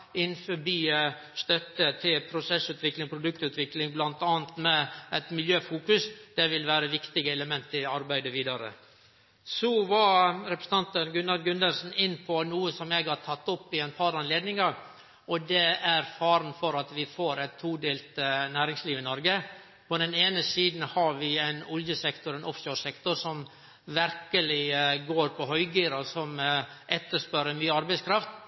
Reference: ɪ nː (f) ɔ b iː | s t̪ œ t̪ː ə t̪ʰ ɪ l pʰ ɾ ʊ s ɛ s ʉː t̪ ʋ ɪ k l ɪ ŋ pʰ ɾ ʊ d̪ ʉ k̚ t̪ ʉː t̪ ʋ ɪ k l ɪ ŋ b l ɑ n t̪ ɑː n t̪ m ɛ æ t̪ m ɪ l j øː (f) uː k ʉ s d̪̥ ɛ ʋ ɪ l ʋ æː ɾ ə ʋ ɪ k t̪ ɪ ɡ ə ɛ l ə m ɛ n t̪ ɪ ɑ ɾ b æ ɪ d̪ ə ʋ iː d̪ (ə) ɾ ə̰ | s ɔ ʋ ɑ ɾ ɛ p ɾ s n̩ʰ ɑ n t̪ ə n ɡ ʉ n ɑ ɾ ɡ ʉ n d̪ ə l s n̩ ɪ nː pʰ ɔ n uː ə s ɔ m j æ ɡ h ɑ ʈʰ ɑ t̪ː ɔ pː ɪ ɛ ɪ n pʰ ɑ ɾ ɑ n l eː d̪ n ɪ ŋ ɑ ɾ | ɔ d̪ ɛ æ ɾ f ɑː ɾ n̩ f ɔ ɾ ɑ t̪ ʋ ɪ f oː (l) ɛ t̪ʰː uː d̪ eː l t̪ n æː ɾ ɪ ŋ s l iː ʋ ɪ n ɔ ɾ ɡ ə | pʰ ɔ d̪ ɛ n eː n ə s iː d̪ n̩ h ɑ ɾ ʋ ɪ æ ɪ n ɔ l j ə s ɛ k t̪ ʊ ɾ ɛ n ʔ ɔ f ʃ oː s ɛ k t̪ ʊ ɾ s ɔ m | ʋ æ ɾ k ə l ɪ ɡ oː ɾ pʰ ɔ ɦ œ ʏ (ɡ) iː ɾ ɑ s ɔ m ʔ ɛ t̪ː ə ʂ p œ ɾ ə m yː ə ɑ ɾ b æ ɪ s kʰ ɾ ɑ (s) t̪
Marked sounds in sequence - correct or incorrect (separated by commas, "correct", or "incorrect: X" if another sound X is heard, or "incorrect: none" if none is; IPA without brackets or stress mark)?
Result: correct, correct, incorrect: ɑ, incorrect: ɾ, correct, incorrect: f